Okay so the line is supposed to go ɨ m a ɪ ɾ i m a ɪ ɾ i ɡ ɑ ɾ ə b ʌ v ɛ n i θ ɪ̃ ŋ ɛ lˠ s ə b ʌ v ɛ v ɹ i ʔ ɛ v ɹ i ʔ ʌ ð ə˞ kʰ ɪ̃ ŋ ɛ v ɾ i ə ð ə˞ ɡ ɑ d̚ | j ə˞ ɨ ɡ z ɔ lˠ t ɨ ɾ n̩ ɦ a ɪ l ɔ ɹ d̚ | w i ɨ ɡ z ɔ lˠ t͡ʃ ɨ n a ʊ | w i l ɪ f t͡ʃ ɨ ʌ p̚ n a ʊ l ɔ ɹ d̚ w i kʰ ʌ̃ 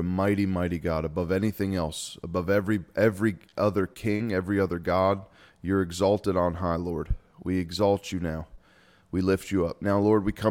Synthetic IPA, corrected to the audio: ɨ m a ɪ ɾ i m a ɪ ɾ i ɡ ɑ ɾ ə b ʌ v ɛ n i θ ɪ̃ ŋ ɛ lˠ s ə b ʌ v ɛ v ɹ i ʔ ɛ v ɹ i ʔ ʌ ð ə˞ kʰ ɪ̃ ŋ ɛ v ɹ i ʌ ð ə˞ ɡ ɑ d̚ | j ə˞ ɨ ɡ z ɔ lˠ t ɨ ɾ n̩ ɦ a ɪ l ɔ ɹ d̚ | w i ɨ ɡ z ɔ lˠ t͡ʃ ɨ n a ʊ | w i l ɪ f t͡ʃ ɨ ʌ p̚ n a ʊ l ɔ ɹ d̚ w i kʰ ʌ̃